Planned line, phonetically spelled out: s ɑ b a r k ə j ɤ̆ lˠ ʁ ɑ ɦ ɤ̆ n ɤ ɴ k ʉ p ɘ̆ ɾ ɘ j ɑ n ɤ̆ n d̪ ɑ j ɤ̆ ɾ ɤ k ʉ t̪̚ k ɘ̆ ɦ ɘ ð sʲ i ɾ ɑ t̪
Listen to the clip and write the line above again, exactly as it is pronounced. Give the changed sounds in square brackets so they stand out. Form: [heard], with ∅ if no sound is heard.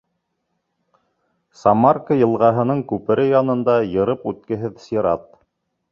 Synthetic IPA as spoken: s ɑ [m] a r k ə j ɤ̆ lˠ ʁ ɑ ɦ ɤ̆ n ɤ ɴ k ʉ p ɘ̆ ɾ ɘ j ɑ n ɤ̆ n d̪ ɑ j ɤ̆ ɾ ɤ [p] ʉ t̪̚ k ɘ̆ ɦ ɘ ð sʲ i ɾ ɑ t̪